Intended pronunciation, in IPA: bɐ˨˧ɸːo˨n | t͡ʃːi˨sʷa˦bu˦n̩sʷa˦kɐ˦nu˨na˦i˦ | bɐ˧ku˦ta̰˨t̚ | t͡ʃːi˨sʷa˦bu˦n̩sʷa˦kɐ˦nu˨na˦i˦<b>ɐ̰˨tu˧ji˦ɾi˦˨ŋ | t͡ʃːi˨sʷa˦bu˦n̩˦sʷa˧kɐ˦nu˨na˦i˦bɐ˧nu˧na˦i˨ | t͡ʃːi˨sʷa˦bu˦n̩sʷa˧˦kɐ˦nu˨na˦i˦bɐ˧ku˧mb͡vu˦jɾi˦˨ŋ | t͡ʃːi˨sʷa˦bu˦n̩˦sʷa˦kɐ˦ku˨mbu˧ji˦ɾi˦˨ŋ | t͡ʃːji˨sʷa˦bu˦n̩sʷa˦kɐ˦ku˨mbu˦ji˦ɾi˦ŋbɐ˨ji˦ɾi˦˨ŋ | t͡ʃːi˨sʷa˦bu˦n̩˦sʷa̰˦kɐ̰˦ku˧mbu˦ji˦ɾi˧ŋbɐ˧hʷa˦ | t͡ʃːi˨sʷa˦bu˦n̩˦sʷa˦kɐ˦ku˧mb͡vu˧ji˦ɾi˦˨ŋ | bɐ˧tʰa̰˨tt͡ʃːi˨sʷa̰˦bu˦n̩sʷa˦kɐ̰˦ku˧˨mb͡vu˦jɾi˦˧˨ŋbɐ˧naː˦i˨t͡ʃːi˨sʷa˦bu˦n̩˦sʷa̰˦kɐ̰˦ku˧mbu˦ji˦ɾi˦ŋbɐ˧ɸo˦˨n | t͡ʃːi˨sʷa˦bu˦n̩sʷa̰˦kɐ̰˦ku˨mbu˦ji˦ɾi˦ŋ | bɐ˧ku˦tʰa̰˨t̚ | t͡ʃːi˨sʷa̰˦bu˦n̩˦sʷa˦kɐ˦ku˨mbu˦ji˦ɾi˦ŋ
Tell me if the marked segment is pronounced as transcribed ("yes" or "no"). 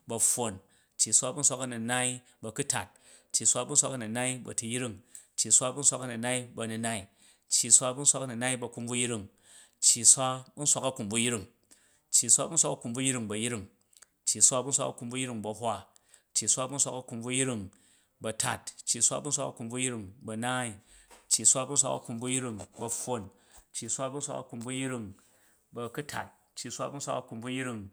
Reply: yes